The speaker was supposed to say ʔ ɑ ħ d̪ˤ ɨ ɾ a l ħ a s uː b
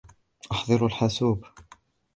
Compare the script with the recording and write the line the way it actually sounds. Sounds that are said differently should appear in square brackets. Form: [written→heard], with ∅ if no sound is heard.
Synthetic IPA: ʔ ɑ ħ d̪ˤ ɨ ɾ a l ħ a s uː b